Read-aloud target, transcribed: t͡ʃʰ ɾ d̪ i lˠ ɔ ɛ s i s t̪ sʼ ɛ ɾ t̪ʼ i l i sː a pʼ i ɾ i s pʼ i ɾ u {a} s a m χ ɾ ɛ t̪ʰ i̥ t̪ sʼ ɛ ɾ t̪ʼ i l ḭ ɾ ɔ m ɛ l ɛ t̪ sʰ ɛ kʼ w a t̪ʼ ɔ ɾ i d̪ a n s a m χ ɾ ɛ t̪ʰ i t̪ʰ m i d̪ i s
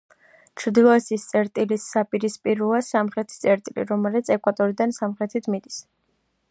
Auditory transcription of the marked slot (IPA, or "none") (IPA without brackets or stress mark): a